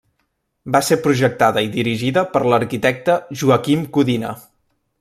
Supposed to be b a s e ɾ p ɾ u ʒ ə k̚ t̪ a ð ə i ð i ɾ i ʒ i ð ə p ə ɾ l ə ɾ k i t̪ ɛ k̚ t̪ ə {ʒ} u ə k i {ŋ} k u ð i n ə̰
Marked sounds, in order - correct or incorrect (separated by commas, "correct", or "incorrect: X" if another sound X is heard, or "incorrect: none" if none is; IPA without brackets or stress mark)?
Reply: correct, incorrect: m